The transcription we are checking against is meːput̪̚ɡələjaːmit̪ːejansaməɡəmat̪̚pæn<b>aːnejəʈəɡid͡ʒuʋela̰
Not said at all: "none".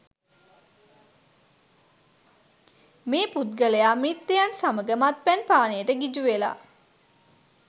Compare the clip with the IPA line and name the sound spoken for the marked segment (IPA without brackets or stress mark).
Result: p